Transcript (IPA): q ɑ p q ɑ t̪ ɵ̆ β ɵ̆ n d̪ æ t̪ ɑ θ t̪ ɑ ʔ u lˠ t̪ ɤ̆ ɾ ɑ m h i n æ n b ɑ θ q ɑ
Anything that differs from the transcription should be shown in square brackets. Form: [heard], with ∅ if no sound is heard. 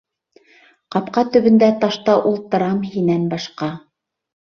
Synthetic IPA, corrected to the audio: q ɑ p q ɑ t̪ ɵ̆ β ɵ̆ n d̪ æ t̪ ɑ [ʃ] t̪ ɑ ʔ u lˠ t̪ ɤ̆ ɾ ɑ m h i n æ n b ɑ [ʃ] q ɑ